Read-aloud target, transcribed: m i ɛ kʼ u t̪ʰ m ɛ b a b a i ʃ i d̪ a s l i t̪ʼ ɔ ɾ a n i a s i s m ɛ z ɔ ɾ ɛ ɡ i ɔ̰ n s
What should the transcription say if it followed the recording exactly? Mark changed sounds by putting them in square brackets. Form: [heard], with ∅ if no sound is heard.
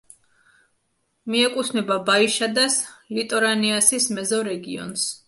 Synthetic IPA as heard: m i ɛ kʼ u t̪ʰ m ɛ b a b a i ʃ [a] d̪ a s l i t̪ʼ ɔ ɾ a n i a s i s m ɛ z ɔ ɾ ɛ ɡ i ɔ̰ n s

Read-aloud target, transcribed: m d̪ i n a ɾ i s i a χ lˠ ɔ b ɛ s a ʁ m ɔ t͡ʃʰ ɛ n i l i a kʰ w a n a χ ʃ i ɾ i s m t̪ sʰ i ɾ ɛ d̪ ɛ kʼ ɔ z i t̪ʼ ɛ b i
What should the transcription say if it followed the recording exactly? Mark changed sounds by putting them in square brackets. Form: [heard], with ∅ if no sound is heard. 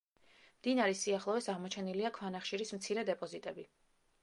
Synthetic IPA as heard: m d̪ i n a ɾ i s i a χ lˠ ɔ [v] ɛ s a ʁ m ɔ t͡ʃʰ ɛ n i l i a kʰ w a n a χ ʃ i ɾ i s m t̪ sʰ i ɾ ɛ d̪ ɛ [pʼ] ɔ z i t̪ʼ ɛ b i

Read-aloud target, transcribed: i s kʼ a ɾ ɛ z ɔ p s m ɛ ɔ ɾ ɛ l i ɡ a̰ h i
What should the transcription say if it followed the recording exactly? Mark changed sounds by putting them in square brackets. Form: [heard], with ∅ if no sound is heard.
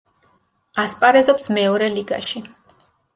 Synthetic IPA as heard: [a] s [pʼ] a ɾ ɛ z ɔ p s m ɛ ɔ ɾ ɛ l i ɡ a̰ [ʃ] i

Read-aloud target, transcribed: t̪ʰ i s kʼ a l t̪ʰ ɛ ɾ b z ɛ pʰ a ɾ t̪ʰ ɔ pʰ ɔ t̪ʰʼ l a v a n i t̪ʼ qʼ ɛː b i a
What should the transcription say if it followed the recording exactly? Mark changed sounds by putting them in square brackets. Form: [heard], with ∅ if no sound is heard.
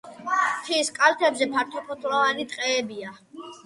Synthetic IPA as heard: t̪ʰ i s kʼ a l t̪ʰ ɛ [∅] b z ɛ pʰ a ɾ t̪ʰ ɔ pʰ ɔ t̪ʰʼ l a v a n i t̪ʼ qʼ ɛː b i a

